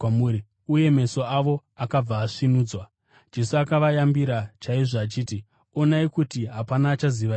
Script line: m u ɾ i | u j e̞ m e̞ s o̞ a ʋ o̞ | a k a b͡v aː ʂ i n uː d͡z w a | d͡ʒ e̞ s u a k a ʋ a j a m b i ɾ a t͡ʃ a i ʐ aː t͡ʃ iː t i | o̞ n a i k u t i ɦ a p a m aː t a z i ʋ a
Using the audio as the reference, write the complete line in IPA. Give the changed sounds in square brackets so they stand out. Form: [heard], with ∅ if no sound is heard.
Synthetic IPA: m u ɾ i | u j e̞ m e̞ s o̞ a ʋ o̞ | a k a b͡v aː ʂ i n uː d͡z w a | d͡ʒ e̞ s u a k a ʋ a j a m b i ɾ a t͡ʃ a i ʐ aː t͡ʃ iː t i | o̞ n a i k u t i ɦ a p a [n] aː [t͡ʃ] a z i ʋ a